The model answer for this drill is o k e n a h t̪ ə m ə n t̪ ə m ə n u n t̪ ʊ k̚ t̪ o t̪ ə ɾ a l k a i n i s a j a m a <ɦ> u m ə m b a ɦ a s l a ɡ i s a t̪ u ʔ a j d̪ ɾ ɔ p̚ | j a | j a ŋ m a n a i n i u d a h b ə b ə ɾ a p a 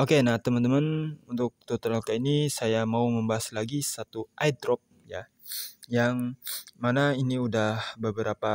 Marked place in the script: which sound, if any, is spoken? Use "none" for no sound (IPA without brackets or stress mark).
none